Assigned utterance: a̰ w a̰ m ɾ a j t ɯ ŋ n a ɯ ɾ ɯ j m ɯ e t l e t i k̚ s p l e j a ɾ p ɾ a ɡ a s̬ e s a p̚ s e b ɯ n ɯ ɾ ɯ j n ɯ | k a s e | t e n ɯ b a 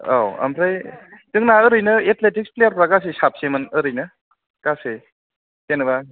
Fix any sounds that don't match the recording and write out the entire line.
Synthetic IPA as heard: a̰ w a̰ m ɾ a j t ɯ ŋ n a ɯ ɾ ɯ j n ɯ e t l e t i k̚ s p l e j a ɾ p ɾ a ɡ a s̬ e s a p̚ s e m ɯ n ɯ ɾ ɯ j n ɯ | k a s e | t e n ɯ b a